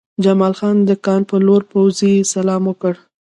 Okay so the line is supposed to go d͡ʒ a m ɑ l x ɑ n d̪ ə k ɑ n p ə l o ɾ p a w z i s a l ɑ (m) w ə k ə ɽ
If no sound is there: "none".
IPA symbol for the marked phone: m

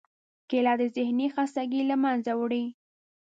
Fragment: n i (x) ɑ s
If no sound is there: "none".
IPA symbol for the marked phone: x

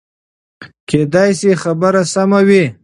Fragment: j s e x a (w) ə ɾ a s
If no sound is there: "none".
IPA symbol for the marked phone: b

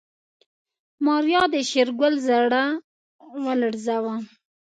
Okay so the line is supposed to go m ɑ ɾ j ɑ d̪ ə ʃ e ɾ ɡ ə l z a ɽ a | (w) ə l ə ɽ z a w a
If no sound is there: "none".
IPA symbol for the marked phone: w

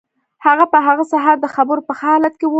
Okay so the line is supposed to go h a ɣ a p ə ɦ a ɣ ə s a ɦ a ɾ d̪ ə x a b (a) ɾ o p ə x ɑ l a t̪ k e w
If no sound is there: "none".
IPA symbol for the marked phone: ə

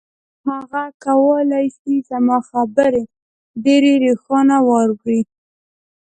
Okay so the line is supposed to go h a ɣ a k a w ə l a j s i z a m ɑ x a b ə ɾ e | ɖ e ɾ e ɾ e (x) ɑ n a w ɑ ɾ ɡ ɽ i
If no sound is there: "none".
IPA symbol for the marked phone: x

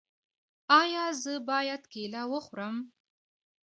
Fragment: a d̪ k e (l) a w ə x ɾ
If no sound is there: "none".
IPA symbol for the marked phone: l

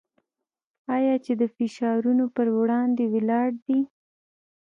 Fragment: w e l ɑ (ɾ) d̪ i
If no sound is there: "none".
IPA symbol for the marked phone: ɽ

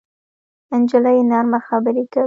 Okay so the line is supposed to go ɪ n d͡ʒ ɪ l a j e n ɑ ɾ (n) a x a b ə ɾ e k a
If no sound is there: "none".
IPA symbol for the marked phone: m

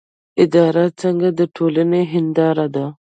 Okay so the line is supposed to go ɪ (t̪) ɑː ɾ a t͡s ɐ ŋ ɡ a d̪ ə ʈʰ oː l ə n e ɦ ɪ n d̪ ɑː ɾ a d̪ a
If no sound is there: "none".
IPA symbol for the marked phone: d̪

